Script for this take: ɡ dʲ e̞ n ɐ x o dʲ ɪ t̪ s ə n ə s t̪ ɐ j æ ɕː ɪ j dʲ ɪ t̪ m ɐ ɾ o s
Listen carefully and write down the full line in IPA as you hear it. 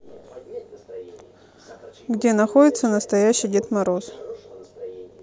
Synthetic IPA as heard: ɡ dʲ e̞ n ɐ x o dʲ ɪ t̪ s ə n ə s t̪ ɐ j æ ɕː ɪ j dʲ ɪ t̪ m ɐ ɾ o s